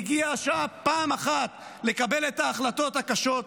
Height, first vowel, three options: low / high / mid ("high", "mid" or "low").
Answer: high